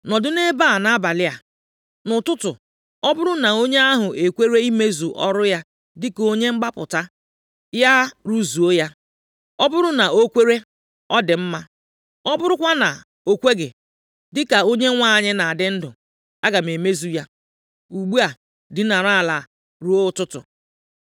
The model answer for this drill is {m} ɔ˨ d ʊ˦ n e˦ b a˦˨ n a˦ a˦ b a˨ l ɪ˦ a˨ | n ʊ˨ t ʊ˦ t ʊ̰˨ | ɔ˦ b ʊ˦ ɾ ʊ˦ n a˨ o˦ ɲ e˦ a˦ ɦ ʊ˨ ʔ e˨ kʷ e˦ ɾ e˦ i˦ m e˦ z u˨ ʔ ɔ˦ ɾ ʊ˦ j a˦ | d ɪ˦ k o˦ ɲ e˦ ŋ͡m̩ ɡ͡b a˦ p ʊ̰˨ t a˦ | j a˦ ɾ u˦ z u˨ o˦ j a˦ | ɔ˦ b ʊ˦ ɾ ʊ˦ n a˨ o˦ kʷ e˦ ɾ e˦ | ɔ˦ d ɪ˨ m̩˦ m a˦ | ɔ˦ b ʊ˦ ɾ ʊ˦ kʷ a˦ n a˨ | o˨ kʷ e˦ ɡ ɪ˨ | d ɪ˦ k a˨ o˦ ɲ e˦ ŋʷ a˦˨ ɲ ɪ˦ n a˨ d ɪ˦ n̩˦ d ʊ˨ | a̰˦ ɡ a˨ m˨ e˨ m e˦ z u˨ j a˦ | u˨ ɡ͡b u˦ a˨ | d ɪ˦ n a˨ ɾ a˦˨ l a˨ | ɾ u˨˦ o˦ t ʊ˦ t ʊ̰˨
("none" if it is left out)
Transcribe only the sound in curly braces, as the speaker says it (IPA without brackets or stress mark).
n